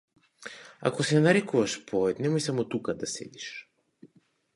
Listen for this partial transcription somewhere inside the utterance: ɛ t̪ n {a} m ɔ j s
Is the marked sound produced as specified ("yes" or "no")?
no